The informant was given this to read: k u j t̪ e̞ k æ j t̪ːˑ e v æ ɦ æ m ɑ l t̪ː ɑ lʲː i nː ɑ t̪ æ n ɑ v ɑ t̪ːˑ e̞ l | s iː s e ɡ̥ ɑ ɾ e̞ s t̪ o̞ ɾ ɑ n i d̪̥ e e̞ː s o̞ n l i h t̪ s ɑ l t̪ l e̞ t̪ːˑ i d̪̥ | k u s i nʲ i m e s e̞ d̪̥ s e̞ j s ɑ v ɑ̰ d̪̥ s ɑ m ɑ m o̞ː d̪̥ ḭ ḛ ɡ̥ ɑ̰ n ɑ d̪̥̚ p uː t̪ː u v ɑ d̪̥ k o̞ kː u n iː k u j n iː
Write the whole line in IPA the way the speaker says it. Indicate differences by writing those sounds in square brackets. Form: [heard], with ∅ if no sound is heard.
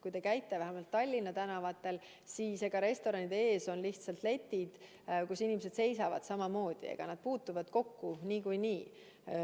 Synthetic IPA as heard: k u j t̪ e̞ k æ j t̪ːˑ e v æ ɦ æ m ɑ l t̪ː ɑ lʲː i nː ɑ t̪ æ n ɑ v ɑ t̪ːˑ e̞ l | s iː s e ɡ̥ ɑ ɾ e̞ s t̪ o̞ ɾ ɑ n i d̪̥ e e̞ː s o̞ n l i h t̪ s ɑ l t̪ l e̞ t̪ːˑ i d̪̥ | k u s i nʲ i m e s e̞ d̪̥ s e̞ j s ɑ v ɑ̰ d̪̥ s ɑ m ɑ m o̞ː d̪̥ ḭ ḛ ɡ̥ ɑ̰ n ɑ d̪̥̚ p uː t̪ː u v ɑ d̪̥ k o̞ kː u n iː k u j n iː

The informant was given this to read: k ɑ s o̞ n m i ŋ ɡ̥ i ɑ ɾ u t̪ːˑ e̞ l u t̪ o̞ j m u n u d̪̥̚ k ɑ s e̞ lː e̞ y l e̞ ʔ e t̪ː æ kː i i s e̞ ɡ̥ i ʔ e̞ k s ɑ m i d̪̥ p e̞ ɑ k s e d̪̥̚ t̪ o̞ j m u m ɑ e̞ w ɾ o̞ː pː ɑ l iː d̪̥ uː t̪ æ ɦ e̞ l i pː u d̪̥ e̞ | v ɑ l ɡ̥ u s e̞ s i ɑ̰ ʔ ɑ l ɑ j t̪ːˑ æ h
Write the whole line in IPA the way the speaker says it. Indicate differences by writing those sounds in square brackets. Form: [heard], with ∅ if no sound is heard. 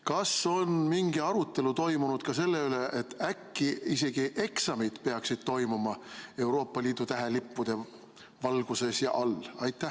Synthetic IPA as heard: k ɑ s o̞ n m i ŋ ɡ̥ i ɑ ɾ u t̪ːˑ e̞ l u t̪ o̞ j m u n u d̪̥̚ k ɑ s e̞ lː e̞ y l e̞ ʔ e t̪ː æ kː i i s e̞ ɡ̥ i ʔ e̞ k s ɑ m i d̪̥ p e̞ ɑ k s [i] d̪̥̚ t̪ o̞ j m u m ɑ e̞ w ɾ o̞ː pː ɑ l iː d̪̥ [u] t̪ æ ɦ e̞ l i pː u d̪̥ e̞ | v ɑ l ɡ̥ u s e̞ s [j] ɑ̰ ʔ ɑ l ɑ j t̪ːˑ æ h

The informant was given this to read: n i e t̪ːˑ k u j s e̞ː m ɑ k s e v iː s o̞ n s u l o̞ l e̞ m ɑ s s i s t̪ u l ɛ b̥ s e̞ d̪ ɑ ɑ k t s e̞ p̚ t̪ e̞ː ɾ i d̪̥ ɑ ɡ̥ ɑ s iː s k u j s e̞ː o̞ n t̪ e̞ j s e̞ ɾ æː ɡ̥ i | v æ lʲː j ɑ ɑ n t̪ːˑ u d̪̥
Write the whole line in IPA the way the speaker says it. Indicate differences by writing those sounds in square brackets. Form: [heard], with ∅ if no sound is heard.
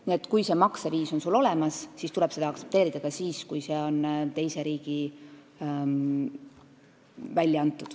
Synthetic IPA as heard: n i e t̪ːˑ k u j s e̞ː m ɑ k s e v iː s o̞ n s u l o̞ l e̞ m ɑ s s i s t̪ u l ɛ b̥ s e̞ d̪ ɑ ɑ k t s e̞ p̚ t̪ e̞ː ɾ i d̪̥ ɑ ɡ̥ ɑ s iː s k u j s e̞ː o̞ n t̪ e̞ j s e̞ ɾ [iː] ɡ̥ i | v æ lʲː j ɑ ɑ n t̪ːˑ u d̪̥

